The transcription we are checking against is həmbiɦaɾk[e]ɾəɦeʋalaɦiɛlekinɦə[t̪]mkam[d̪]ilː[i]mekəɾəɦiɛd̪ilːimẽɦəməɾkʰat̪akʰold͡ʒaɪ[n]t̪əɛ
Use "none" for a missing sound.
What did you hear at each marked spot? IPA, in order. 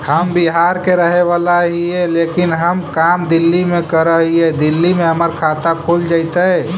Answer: e, none, d̪, i, none

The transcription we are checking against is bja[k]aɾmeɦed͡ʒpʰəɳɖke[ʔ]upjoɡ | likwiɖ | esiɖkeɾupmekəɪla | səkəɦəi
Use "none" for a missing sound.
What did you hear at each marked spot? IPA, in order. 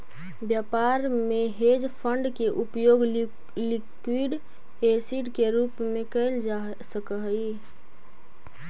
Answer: p, ʔ

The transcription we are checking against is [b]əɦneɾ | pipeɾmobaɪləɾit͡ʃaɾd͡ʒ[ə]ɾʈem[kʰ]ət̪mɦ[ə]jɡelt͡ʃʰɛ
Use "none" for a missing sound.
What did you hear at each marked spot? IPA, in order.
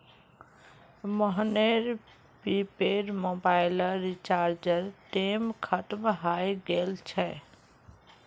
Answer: m, ə, kʰ, a

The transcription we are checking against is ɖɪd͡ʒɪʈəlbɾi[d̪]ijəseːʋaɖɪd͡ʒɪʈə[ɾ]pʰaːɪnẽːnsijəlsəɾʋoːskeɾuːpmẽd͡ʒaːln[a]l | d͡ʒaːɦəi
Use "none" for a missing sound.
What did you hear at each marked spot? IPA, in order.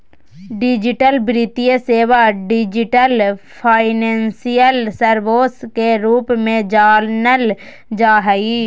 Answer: t̪, l, ə

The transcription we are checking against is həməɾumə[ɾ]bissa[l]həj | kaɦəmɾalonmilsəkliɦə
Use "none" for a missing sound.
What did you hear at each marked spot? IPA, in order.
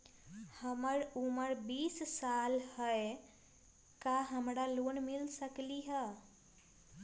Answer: ɾ, l

